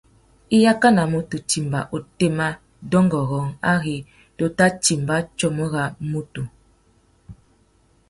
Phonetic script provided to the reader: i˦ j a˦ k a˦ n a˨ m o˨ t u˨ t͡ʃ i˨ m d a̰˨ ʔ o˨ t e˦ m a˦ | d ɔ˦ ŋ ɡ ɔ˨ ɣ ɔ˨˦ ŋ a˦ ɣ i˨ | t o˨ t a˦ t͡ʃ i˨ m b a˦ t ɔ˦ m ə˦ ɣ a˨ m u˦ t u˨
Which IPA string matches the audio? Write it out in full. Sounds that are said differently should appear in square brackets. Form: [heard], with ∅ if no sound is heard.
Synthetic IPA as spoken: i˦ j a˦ k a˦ n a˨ m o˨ t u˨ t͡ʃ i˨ m [b] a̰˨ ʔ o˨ t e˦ m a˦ | d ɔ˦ ŋ ɡ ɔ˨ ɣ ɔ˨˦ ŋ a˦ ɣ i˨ | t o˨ t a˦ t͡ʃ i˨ m b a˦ [t͡ʃ] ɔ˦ m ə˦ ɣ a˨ m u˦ t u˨